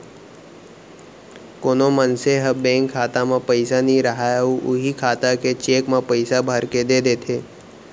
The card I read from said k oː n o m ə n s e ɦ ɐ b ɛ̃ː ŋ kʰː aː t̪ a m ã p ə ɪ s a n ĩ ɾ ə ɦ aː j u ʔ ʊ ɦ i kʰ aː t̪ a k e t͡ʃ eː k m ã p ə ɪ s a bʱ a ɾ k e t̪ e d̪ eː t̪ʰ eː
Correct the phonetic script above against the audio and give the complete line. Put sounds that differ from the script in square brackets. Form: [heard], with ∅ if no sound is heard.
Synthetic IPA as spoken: k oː n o m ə n s e ɦ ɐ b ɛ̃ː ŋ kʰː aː t̪ a m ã p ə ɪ s a n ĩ ɾ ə ɦ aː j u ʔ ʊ ɦ i kʰ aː t̪ a k e t͡ʃ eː k m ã p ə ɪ s a bʱ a ɾ k e [d̪] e d̪ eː t̪ʰ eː